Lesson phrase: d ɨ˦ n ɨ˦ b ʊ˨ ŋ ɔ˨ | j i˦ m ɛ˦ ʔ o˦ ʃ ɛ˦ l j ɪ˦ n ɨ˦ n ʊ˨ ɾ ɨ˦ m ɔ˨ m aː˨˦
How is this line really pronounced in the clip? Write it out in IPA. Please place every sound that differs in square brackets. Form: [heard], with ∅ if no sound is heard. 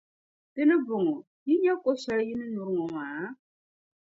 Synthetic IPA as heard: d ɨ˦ n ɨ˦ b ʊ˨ ŋ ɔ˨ | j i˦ [ɲ] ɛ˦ [k] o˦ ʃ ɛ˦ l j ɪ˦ n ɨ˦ n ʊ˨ ɾ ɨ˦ [ŋ] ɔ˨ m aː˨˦